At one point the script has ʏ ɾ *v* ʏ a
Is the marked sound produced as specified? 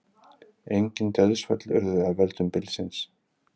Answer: no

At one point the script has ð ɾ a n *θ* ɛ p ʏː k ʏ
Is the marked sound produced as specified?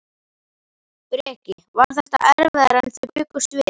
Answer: yes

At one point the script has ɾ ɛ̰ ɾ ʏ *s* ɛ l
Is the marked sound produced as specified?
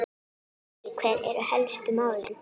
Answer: no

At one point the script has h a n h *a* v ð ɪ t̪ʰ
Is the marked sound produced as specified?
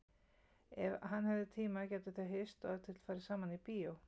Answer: no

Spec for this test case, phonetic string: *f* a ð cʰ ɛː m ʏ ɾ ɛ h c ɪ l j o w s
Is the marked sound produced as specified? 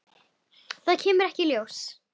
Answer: no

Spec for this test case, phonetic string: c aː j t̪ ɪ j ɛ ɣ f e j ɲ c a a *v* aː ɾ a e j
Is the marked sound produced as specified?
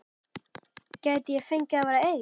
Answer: yes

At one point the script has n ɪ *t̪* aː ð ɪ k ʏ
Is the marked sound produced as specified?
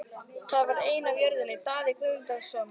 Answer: yes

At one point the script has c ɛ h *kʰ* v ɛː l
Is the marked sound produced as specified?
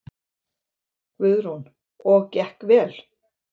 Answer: no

